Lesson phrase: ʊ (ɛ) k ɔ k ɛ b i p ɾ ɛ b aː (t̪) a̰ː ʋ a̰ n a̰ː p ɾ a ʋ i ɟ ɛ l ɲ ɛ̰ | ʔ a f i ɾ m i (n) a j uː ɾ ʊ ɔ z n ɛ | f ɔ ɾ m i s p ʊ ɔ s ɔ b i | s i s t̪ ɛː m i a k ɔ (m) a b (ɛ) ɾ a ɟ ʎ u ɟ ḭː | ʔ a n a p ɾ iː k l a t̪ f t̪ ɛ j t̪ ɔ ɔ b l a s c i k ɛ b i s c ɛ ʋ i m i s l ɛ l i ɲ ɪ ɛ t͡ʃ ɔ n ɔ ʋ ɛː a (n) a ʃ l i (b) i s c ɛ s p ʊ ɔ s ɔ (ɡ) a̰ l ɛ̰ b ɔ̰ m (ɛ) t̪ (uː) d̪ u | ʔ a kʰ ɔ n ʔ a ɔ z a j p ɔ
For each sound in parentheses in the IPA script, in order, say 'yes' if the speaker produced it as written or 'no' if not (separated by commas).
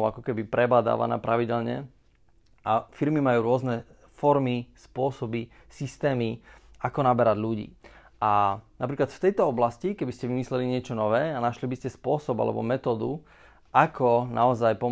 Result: no, no, no, no, yes, yes, yes, no, yes, no